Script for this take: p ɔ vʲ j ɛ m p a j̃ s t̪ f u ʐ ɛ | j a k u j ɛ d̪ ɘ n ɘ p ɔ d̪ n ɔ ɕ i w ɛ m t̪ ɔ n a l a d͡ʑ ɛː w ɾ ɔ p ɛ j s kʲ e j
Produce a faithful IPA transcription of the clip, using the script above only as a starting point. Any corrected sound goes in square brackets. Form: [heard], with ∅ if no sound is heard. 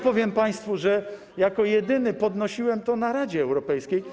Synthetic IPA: p ɔ vʲ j ɛ m p a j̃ s t̪ f u ʐ ɛ | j a k [ɔ] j ɛ d̪ ɘ n ɘ p ɔ d̪ n ɔ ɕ i w ɛ m t̪ ɔ n a [ɾ] a d͡ʑ ɛː w ɾ ɔ p ɛ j s kʲ e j